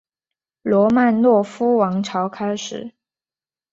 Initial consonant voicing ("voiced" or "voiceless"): voiced